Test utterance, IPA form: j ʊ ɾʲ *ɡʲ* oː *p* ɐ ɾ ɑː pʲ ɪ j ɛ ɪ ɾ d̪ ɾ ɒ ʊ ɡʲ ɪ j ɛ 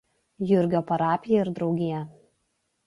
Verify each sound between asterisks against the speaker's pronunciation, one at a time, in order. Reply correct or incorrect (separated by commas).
correct, correct